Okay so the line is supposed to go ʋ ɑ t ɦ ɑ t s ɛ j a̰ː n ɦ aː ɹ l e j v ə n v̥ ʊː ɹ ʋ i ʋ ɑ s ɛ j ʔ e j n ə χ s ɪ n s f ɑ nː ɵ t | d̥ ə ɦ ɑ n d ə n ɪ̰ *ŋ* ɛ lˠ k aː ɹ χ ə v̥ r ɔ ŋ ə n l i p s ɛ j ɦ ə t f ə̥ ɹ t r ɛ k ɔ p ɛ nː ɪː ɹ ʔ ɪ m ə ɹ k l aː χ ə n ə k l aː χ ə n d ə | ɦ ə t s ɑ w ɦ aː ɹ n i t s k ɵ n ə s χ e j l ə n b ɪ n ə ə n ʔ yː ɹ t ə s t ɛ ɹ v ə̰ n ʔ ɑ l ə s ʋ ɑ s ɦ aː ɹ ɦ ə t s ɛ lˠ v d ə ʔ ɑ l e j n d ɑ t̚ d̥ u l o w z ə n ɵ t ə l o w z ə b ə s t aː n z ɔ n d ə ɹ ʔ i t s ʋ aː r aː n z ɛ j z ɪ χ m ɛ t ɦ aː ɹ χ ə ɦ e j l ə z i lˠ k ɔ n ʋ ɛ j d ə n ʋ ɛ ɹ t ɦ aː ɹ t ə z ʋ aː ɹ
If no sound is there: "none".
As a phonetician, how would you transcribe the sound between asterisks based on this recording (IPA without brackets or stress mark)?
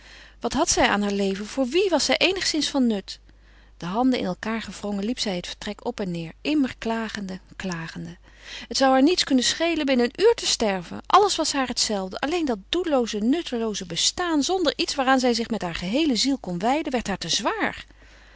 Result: n